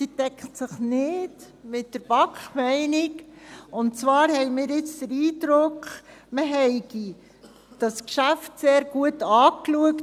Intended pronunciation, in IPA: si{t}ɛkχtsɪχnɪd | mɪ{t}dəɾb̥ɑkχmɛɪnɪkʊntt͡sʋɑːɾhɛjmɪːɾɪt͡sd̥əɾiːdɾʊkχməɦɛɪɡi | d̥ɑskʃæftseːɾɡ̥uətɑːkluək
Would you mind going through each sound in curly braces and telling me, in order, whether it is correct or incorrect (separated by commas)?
correct, correct